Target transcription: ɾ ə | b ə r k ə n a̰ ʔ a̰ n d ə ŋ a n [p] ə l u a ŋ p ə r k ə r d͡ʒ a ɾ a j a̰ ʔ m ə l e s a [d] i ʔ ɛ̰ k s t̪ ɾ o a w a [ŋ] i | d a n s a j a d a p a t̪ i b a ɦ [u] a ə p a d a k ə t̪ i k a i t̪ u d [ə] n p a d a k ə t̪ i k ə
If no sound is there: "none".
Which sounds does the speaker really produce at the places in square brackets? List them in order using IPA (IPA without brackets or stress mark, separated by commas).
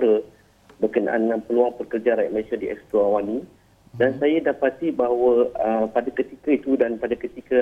p, d, n, w, a